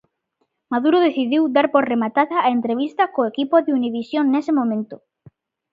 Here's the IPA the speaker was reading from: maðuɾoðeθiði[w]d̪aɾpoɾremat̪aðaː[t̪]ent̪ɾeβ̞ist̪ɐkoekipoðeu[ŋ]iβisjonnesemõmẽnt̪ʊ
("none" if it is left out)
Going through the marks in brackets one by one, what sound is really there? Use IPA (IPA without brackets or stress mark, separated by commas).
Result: w, none, n